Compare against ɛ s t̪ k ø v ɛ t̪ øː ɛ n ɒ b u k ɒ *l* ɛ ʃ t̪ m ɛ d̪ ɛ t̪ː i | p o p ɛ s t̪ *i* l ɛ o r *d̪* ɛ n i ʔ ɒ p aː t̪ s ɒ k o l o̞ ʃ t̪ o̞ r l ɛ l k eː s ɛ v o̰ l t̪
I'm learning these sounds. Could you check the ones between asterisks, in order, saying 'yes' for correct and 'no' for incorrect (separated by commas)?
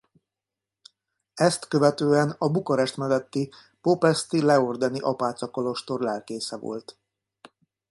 no, yes, yes